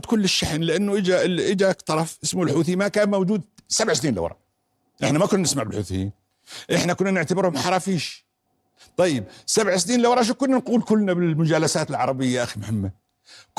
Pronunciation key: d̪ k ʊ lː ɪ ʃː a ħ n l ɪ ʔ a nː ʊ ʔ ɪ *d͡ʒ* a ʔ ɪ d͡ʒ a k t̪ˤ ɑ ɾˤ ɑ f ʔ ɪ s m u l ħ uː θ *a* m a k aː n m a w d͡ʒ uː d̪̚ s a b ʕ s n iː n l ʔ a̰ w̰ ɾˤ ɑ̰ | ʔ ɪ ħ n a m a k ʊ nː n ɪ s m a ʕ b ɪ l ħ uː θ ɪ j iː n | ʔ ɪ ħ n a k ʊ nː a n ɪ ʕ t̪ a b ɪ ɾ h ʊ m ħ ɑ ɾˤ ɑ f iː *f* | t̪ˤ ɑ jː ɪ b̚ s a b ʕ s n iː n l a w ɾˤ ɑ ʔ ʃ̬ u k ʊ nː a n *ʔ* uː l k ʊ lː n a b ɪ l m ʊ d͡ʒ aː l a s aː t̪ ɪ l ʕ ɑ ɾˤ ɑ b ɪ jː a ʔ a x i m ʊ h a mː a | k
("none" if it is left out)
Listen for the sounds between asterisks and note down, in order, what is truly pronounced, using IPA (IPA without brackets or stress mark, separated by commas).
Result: d͡ʒ, i, ʃ, q